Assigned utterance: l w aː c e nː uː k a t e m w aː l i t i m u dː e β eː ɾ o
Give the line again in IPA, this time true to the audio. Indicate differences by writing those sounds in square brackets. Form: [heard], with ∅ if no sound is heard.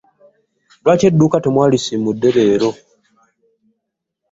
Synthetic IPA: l w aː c e [dː] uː k a t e m w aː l i [s] i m u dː e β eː ɾ o